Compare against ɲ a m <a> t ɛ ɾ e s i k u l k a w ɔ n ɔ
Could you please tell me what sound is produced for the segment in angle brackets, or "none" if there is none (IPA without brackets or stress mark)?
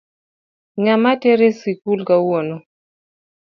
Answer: a